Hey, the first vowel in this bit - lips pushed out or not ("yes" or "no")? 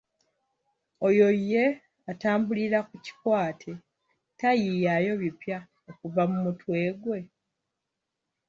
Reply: yes